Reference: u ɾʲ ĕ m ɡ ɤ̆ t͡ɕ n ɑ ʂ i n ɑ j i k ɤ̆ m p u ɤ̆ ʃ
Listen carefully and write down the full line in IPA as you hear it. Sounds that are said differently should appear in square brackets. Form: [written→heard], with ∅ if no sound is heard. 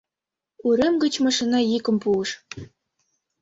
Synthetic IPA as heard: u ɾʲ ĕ m ɡ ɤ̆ t͡ɕ [n→m] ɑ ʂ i n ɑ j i k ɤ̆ m p u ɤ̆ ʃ